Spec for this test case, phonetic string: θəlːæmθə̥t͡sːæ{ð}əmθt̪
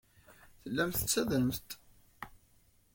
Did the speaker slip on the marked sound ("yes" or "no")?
no